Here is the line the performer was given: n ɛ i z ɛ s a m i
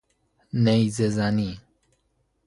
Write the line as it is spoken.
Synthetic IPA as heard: n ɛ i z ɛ z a n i